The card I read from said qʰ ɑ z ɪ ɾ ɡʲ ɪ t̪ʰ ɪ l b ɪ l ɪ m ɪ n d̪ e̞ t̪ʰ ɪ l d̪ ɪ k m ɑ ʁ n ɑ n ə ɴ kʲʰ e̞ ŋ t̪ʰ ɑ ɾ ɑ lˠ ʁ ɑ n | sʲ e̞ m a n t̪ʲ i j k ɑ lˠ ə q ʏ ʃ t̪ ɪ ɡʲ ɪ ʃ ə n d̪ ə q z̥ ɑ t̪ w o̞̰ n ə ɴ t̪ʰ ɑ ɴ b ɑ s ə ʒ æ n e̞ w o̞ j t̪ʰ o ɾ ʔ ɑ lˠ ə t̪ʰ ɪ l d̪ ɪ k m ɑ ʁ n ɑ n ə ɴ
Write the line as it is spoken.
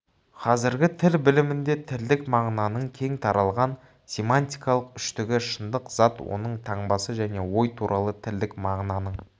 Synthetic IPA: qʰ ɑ z ɪ ɾ ɡʲ ɪ t̪ʰ ɪ l b ɪ l ɪ m ɪ n d̪ e̞ t̪ʰ ɪ l d̪ ɪ k m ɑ ʁ n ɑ n ə ɴ kʲʰ e̞ ŋ t̪ʰ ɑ ɾ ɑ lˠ ʁ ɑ n | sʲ e̞ m a n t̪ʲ i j k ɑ lˠ ə q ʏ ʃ t̪ ɪ ɡʲ ɪ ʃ ə n d̪ ə q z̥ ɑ t̪ w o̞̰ n ə ɴ t̪ʰ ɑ ɴ b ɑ s ə ʒ æ n e̞ w o̞ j t̪ʰ u ɾ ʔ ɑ lˠ ə t̪ʰ ɪ l d̪ ɪ k m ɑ ʁ n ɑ n ə ɴ